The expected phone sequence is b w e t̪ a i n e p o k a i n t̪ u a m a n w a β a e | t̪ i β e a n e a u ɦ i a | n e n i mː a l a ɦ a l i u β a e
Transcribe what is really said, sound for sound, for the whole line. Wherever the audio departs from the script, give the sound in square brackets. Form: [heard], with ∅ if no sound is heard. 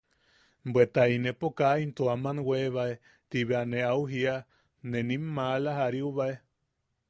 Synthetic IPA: b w e t̪ a i n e p o k a i n t̪ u a m a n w [e] β a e | t̪ i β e a n e a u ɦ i a | n e n i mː a l a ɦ a [ɾ] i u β a e